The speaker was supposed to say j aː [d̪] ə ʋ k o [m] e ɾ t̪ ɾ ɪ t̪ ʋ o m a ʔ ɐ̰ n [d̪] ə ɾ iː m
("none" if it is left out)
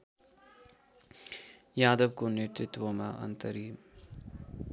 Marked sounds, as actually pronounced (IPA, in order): d̪, n, t̪

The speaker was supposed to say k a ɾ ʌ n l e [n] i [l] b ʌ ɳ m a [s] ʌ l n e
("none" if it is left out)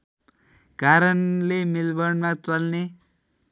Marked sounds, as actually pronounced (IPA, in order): m, l, t͡s

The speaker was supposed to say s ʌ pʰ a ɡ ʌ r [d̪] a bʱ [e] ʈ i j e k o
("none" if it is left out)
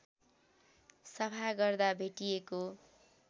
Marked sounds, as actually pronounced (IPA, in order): d̪, e

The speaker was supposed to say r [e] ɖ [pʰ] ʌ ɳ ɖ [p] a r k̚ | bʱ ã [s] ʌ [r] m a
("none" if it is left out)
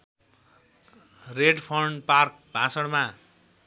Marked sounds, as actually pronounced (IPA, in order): e, pʰ, p, s, ɽ

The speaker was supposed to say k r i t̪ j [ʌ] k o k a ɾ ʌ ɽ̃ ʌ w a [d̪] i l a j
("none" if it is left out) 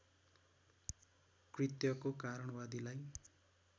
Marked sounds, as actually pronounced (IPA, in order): ʌ, d̪

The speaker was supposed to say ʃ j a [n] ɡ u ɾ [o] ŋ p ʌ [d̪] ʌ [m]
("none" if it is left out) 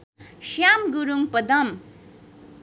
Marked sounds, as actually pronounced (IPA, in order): m, u, d̪, m

